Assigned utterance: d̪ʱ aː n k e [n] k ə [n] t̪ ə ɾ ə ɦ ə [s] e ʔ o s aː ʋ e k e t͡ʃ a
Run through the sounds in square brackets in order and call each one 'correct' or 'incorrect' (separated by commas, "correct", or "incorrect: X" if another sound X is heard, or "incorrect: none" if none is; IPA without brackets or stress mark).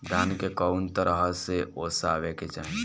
incorrect: none, correct, correct